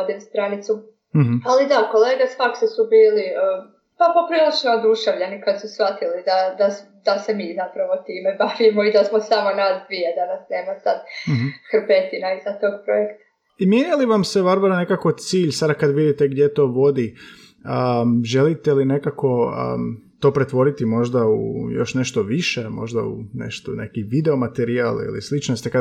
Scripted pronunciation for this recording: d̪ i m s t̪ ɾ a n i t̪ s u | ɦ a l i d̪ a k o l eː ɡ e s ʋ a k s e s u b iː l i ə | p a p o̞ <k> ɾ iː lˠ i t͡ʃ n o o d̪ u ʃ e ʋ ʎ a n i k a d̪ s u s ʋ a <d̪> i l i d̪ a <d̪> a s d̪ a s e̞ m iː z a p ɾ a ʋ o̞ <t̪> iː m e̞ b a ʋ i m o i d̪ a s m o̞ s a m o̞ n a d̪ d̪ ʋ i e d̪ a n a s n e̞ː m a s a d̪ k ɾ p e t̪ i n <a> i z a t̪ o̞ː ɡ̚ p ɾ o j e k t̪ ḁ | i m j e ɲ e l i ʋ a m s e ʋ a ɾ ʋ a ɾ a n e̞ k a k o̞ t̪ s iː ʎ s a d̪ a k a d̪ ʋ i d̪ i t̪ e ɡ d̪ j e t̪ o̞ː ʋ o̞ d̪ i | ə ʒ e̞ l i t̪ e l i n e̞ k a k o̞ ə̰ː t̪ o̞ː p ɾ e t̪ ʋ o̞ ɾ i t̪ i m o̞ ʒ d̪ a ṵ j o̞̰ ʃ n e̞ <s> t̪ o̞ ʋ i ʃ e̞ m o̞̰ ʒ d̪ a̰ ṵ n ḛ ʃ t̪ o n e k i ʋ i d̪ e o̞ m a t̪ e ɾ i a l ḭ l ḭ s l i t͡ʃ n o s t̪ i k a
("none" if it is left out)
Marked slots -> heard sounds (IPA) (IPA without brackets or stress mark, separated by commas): p, t̪, d̪, t̪, a, ʃ